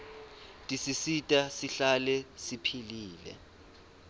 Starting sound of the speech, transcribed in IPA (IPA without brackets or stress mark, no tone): tʼ